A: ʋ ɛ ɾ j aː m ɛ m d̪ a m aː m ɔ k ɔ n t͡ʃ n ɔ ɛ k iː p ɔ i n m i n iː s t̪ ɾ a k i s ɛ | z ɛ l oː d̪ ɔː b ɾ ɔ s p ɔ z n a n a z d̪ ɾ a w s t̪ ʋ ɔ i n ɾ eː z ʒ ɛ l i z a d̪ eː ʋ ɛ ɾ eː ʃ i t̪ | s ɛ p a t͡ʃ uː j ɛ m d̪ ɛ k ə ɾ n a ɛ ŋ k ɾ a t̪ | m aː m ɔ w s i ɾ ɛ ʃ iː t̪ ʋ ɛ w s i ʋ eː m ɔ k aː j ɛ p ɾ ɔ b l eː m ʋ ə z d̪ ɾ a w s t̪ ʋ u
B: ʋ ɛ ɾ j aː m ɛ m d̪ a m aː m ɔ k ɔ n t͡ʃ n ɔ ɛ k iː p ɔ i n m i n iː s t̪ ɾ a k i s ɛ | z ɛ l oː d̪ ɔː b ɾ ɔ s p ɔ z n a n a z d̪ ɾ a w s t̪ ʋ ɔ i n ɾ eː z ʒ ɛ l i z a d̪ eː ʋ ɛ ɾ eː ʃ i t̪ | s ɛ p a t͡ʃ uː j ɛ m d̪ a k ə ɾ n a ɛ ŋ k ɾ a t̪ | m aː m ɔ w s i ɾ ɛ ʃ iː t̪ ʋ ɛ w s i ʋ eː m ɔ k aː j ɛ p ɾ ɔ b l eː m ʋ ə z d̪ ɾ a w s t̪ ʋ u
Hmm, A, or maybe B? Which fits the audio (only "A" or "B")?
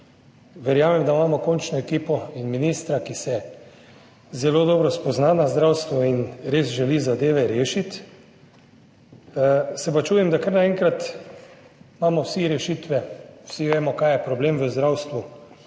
B